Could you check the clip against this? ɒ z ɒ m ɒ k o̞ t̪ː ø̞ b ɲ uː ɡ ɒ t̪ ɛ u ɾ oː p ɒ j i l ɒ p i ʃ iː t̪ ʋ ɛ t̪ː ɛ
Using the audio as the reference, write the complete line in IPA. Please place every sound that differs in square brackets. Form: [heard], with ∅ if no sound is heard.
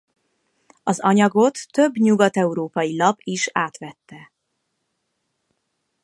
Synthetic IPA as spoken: ɒ z ɒ [ɲ] ɒ [ɡ] o̞ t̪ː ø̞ b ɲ [u] ɡ ɒ t̪ ɛ u ɾ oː p ɒ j i l ɒ p i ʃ [aː] t̪ ʋ ɛ t̪ː ɛ